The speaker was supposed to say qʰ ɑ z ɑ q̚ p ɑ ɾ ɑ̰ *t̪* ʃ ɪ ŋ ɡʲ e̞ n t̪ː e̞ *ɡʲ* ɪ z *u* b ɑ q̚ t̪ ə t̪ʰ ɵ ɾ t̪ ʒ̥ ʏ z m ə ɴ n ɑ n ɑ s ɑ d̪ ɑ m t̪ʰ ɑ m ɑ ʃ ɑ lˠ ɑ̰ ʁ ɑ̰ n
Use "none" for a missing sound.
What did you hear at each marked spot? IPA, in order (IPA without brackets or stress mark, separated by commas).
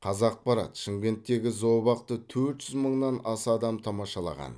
t̪, ɡʲ, o